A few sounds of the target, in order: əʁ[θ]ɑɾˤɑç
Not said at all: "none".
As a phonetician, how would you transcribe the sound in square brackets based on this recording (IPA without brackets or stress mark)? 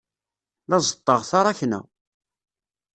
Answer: θ